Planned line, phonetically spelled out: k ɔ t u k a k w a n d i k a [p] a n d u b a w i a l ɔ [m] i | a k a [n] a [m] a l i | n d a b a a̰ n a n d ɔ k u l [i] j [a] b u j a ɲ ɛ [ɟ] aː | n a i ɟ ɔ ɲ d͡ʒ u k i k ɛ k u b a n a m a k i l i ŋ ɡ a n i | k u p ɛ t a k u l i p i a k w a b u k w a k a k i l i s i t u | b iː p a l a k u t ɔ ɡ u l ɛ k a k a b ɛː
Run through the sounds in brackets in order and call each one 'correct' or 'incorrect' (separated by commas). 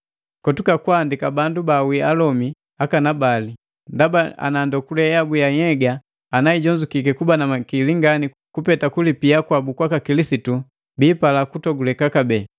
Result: incorrect, correct, correct, incorrect, incorrect, correct, incorrect